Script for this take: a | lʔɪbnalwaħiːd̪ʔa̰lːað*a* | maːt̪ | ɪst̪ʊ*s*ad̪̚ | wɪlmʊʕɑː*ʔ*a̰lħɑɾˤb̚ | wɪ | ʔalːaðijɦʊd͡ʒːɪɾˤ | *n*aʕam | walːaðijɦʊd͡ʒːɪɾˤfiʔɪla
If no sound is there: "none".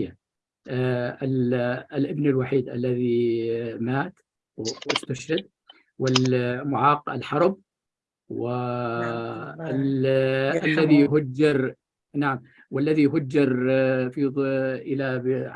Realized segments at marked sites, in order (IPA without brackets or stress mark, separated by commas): i, ʃ, q, n